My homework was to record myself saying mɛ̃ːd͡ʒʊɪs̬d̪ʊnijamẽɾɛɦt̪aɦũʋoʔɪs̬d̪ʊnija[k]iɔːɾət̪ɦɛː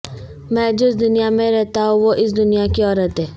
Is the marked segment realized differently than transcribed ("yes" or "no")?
no